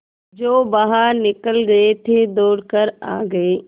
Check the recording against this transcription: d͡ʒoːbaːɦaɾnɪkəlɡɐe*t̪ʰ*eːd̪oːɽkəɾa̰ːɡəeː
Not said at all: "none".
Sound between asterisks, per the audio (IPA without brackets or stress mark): t̪ʰ